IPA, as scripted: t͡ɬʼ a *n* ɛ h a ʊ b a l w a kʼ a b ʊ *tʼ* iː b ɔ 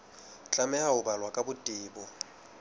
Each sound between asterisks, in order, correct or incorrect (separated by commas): incorrect, correct